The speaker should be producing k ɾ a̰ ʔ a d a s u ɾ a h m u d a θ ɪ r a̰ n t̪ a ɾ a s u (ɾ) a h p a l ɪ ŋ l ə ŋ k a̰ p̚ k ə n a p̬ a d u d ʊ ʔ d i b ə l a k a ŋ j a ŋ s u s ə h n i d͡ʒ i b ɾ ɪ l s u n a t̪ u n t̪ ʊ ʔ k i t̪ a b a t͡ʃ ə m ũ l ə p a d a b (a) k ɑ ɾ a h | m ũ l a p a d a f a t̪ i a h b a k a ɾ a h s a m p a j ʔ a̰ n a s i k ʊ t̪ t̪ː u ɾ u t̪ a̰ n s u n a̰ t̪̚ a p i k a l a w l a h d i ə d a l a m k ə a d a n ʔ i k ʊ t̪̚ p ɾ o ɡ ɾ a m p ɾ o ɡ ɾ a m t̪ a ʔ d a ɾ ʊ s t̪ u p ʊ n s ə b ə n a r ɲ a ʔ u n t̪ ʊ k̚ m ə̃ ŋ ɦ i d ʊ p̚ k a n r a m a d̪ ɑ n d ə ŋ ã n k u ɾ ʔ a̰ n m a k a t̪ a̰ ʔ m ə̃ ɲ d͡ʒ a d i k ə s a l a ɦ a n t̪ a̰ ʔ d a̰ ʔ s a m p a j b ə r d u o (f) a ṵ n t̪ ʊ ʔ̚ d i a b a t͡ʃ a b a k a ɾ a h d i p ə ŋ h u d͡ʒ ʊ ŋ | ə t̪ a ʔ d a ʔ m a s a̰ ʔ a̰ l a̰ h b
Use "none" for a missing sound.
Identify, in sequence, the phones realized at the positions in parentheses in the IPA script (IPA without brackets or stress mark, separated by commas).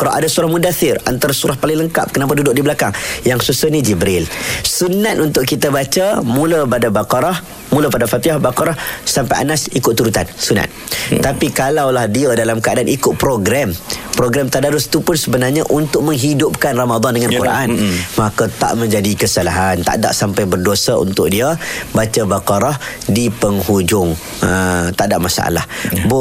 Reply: ɾ, a, s